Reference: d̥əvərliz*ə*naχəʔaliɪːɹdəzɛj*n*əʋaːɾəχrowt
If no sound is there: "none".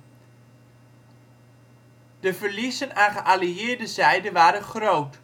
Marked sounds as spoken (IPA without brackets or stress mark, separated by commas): ə, d